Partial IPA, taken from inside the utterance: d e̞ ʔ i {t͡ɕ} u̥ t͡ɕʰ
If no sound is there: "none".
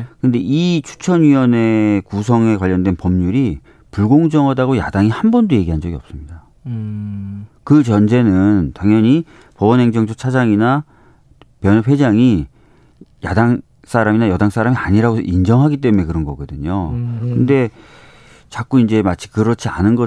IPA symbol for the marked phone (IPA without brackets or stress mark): t͡ɕʰ